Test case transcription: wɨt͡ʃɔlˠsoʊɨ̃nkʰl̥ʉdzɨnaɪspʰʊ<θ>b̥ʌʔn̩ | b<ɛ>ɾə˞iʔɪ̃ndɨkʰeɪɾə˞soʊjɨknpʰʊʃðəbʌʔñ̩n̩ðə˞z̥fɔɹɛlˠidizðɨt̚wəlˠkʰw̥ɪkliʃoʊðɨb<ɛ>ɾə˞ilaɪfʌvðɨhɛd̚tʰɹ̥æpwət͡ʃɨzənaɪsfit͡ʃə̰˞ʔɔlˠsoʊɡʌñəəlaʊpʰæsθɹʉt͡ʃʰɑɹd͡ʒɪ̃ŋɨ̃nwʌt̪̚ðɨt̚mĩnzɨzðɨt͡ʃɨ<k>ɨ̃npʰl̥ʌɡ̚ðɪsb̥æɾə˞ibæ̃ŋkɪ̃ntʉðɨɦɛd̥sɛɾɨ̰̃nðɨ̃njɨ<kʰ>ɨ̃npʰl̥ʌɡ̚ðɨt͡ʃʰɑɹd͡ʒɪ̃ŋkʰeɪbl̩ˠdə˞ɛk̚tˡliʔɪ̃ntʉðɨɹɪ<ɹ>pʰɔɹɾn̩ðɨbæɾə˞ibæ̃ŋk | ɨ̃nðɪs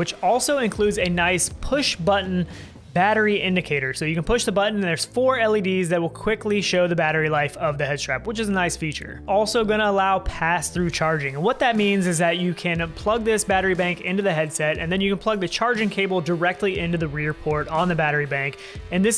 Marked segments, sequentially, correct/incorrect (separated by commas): incorrect, incorrect, incorrect, incorrect, incorrect, correct